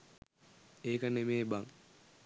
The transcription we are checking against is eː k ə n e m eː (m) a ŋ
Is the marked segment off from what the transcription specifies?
yes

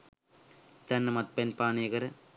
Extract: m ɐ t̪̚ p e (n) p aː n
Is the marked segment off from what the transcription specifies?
no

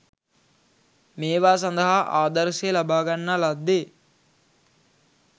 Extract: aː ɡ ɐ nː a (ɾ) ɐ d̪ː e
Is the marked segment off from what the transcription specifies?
yes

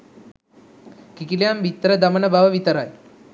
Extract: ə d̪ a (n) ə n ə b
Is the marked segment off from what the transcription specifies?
yes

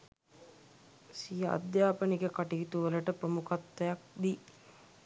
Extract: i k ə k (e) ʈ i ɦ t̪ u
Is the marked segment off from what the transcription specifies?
yes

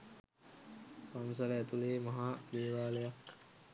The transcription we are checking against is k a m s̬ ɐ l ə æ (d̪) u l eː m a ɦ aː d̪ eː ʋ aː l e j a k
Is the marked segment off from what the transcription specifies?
yes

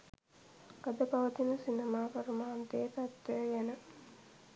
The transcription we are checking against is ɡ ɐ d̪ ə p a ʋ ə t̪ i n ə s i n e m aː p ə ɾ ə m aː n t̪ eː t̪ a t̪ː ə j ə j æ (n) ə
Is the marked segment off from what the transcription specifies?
no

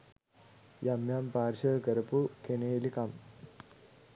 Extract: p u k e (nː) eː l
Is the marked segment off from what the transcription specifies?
yes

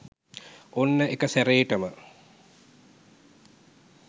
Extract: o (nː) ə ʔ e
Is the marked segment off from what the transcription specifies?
no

